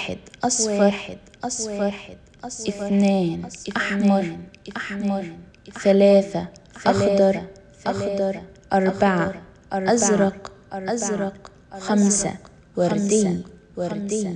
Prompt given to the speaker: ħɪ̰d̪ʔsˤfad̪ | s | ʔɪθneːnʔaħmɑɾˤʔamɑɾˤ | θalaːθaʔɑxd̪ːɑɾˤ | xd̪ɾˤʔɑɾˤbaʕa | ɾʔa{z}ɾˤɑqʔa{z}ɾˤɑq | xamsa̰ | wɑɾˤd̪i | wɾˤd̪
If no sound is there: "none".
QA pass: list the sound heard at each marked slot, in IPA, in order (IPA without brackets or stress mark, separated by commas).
z, z